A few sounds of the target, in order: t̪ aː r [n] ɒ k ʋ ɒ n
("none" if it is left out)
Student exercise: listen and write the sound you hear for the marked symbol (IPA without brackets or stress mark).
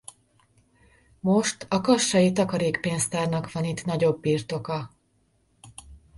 n